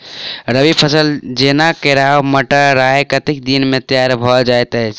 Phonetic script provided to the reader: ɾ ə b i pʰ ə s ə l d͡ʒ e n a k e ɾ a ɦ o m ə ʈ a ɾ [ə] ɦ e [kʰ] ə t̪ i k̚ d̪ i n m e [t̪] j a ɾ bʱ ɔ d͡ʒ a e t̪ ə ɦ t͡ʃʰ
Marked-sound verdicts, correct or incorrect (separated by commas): incorrect, incorrect, correct